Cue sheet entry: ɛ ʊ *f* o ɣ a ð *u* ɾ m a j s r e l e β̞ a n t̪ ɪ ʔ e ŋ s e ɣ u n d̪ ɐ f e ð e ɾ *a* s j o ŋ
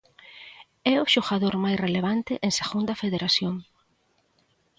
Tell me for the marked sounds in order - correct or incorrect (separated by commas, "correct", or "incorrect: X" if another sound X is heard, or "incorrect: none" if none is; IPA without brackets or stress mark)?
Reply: incorrect: ʃ, incorrect: o, correct